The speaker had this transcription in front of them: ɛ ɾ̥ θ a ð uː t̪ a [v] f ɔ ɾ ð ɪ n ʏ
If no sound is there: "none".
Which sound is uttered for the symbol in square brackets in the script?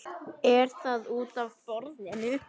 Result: v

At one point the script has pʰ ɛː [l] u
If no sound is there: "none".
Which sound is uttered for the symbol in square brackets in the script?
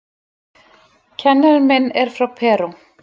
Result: ɾ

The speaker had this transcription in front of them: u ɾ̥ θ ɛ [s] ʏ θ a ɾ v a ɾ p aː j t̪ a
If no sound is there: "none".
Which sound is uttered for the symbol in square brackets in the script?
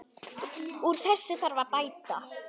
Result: sː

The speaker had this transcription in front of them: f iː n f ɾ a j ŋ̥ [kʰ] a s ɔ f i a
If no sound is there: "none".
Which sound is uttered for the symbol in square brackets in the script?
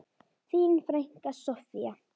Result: k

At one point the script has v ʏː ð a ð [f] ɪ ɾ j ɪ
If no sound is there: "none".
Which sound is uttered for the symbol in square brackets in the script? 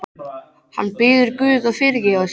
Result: f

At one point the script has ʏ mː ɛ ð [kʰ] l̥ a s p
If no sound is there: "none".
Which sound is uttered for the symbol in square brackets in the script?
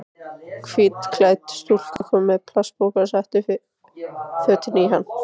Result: pʰ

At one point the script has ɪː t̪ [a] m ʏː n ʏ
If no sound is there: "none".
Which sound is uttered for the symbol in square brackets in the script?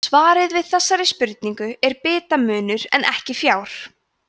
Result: a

